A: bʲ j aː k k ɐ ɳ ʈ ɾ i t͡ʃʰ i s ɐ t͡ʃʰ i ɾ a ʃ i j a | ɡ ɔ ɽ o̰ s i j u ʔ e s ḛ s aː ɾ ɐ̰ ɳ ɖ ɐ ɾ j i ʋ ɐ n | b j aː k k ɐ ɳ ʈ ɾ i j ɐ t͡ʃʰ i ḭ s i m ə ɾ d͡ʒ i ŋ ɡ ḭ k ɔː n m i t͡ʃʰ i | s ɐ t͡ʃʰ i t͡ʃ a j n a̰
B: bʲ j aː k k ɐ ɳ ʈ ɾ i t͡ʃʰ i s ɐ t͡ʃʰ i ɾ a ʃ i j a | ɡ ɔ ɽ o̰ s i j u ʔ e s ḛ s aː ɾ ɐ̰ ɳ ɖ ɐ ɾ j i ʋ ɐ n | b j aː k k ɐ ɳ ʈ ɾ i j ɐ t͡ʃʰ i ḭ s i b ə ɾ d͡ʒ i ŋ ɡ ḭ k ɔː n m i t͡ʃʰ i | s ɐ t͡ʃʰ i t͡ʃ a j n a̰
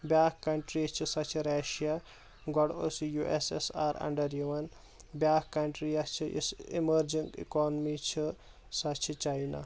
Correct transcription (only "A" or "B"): A